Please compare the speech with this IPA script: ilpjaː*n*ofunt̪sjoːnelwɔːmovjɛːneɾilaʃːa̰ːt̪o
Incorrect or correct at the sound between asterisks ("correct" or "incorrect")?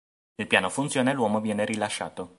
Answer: correct